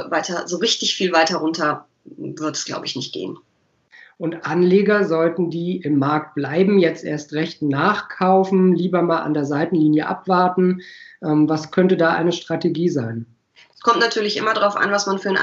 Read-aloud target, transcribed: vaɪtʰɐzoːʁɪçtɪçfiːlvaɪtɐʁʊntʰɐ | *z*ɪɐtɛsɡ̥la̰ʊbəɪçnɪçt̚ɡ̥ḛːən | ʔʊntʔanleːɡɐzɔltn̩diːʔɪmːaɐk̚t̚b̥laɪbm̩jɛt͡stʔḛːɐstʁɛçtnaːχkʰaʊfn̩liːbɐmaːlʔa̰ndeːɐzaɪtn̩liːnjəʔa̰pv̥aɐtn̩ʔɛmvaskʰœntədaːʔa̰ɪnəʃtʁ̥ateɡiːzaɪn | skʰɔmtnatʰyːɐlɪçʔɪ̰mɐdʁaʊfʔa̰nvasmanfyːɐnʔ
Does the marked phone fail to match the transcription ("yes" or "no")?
yes